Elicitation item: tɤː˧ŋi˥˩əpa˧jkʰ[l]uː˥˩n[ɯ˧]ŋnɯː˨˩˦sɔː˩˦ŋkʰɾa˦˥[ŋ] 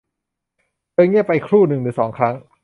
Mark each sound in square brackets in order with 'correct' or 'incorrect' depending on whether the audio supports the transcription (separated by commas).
incorrect, incorrect, correct